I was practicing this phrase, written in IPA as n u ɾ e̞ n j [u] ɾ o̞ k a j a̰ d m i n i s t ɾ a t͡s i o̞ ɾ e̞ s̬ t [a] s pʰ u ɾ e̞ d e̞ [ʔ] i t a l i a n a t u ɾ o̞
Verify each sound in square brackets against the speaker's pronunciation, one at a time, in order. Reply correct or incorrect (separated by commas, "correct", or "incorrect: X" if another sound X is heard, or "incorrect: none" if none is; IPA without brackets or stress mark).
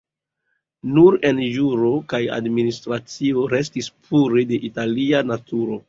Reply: correct, incorrect: i, correct